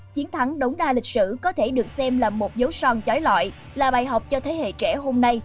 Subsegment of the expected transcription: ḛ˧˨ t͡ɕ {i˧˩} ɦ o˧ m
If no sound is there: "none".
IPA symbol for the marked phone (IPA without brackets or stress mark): ɛ˧˩